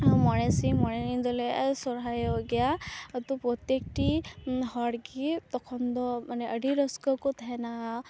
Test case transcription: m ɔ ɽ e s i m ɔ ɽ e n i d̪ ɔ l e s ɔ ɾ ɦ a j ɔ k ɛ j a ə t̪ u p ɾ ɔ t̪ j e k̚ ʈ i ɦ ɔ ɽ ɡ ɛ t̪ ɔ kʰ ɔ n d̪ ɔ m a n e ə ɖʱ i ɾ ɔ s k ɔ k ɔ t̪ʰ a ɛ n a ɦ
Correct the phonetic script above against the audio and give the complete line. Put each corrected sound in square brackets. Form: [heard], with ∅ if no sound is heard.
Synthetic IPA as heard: m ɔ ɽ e s i m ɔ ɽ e n i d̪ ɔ l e s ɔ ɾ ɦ a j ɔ [ɡ] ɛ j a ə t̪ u p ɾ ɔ t̪ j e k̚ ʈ i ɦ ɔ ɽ ɡ [i] t̪ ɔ kʰ ɔ n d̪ ɔ m a n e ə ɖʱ i ɾ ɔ s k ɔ k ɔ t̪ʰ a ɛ n a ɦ

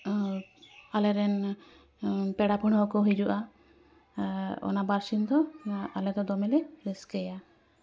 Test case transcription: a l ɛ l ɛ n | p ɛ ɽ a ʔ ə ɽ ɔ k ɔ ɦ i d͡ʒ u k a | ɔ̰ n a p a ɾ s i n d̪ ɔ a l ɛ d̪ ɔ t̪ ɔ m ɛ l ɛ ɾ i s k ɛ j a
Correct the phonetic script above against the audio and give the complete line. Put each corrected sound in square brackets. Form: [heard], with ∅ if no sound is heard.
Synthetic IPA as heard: a l ɛ [ɾ] ɛ n | p ɛ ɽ a [p] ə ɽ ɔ k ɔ ɦ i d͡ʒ u [ʔ] a | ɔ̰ n a [b] a ɾ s i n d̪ ɔ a l ɛ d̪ ɔ [d̪] ɔ m ɛ l ɛ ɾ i s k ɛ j a

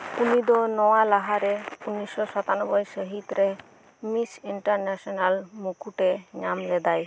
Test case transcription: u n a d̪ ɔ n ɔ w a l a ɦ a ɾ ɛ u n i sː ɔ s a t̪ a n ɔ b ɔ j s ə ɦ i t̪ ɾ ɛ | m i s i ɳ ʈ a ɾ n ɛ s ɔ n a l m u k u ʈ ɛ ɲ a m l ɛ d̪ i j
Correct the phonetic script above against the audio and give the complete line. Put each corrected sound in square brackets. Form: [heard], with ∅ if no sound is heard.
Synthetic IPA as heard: u n [i] d̪ ɔ n ɔ w a l a ɦ a ɾ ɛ u n i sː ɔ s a t̪ a n ɔ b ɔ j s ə ɦ i t̪ ɾ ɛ | m i s i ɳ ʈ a ɾ n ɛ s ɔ n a l m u k u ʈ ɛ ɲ a m l ɛ d̪ [a] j

